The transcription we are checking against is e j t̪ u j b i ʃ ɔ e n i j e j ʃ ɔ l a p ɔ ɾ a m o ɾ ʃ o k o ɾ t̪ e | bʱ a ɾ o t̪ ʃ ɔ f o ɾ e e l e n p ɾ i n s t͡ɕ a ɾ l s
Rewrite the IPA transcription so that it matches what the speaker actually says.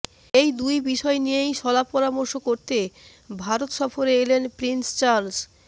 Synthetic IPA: e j d̪ u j b i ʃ ɔ e n i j e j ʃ ɔ l a p ɔ ɾ a m o ɾ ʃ o k o ɾ t̪ e | bʱ a ɾ o t̪ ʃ ɔ f o ɾ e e l e n p ɾ i n s t͡ɕ a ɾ l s